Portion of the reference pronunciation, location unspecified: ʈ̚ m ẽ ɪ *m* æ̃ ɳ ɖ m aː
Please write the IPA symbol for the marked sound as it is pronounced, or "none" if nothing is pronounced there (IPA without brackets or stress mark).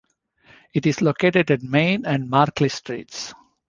n